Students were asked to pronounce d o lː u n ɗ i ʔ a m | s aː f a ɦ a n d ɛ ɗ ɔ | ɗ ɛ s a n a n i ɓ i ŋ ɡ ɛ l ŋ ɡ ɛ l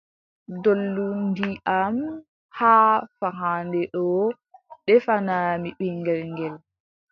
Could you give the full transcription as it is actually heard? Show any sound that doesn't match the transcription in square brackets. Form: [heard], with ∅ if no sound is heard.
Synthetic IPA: d o lː u n [d] i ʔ a m | [h] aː f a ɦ a n d ɛ ɗ ɔ | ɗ ɛ [f] a n a [m] i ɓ i ŋ ɡ ɛ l ŋ ɡ ɛ l

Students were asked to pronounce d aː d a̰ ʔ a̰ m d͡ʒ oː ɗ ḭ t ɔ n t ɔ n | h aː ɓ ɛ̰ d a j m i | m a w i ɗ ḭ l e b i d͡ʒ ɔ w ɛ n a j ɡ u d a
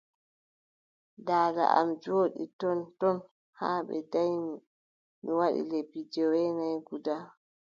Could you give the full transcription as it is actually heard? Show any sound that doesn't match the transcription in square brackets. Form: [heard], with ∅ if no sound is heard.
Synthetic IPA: d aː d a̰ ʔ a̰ m d͡ʒ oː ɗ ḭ t ɔ n t ɔ n | h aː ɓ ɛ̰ d a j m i | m [i] w [a] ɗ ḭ l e b i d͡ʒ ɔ w ɛ n a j ɡ u d a

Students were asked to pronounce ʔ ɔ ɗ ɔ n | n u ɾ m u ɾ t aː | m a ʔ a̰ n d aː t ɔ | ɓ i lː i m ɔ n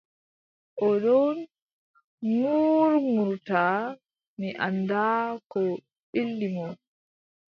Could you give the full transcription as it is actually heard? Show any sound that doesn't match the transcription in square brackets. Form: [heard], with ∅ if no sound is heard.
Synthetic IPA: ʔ ɔ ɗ ɔ n | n u ɾ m u ɾ t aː | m [i] ʔ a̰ n d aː [k] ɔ | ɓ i lː i m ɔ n

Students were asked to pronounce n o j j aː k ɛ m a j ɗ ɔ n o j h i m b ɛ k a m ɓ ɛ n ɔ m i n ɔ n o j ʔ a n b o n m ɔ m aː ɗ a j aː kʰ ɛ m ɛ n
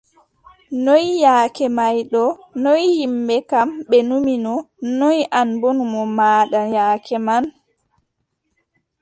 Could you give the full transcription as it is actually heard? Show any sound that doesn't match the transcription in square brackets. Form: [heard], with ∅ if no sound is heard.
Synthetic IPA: n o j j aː k ɛ m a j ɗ ɔ n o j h i m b ɛ k a m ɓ ɛ n [u] m i n ɔ n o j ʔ a n b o n m ɔ m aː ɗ a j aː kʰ ɛ m [a] n

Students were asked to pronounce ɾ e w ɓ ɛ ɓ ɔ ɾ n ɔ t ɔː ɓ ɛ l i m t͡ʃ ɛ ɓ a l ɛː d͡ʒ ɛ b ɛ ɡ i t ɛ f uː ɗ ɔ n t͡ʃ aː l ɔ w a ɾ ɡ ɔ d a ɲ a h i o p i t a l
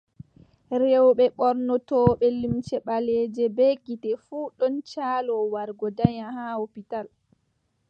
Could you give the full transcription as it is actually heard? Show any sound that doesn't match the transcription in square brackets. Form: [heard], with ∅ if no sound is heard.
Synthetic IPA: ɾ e w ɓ ɛ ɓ ɔ ɾ n ɔ t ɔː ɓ ɛ l i m t͡ʃ ɛ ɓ a l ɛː d͡ʒ ɛ b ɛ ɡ i t ɛ f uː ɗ ɔ n t͡ʃ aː l ɔ w a ɾ ɡ ɔ d a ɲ a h [a] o p i t a l

